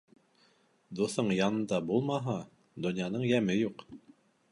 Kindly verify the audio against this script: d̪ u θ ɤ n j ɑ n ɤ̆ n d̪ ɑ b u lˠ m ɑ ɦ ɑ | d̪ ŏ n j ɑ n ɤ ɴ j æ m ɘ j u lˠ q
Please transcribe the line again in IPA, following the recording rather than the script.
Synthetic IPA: d̪ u θ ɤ ɴ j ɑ n ɤ̆ n d̪ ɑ b u lˠ m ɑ ɦ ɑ | d̪ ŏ n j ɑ n ɤ ɴ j æ m ɘ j u q